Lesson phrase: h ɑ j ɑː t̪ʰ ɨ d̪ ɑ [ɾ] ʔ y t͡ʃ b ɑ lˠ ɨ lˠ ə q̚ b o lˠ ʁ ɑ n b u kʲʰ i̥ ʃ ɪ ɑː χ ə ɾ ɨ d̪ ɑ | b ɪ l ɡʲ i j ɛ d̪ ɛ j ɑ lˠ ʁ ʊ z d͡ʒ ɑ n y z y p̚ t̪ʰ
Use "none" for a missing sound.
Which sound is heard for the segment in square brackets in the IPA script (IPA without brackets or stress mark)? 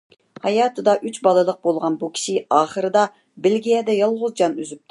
none